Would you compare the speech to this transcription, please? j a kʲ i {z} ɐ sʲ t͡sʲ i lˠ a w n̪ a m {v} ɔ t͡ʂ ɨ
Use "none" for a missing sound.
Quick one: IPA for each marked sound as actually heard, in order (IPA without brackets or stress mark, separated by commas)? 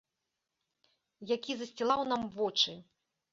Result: z, v